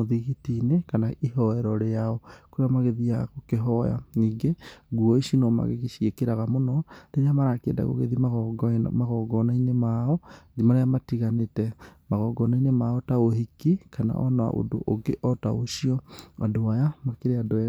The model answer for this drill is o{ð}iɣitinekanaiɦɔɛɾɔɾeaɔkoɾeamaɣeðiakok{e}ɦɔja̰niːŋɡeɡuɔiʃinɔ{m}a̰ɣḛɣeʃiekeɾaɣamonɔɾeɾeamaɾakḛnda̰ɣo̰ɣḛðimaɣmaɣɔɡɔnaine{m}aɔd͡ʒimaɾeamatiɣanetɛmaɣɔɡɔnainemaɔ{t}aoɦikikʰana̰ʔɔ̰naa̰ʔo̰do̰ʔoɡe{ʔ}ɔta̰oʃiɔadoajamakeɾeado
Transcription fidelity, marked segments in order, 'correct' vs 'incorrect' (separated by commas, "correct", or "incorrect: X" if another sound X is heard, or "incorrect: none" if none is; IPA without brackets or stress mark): correct, correct, correct, correct, correct, correct